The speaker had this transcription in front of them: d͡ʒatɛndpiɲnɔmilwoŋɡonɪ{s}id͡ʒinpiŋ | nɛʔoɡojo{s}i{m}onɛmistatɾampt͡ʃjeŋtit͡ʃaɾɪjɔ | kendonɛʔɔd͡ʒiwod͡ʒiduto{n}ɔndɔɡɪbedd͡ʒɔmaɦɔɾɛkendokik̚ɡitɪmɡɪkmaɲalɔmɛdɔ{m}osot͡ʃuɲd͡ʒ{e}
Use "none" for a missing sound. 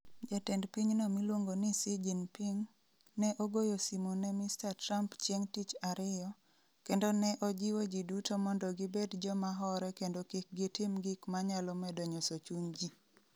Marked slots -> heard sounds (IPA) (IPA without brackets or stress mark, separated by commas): s, s, m, m, ɲ, i